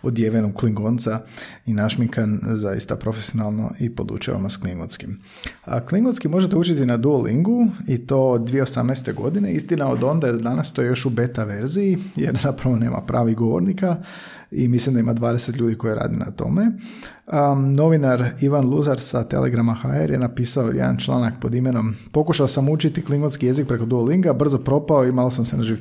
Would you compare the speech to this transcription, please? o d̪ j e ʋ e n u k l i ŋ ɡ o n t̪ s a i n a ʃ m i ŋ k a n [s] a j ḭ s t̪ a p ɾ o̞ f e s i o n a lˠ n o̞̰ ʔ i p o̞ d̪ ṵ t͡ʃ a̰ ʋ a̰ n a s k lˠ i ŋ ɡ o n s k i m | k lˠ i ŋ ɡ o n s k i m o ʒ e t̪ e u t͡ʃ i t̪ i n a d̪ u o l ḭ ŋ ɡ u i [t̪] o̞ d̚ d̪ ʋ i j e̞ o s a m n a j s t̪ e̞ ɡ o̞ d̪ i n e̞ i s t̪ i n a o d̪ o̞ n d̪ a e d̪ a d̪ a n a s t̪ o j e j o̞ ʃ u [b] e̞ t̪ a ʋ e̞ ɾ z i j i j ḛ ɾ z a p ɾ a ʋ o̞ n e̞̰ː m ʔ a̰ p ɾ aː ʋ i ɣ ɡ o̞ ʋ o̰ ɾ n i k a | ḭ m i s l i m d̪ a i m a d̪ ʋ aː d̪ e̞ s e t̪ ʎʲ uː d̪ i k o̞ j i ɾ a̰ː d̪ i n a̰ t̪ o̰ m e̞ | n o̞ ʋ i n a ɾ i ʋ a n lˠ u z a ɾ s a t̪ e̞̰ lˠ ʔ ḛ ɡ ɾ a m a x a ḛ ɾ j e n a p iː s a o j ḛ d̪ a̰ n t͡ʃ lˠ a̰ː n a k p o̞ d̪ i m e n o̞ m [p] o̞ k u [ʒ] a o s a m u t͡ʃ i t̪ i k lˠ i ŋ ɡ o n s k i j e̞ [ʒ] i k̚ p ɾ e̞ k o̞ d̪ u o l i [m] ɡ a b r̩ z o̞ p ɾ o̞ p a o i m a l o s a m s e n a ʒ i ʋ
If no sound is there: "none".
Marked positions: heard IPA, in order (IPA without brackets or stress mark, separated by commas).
z, t̪, b, p, ʃ, z, ŋ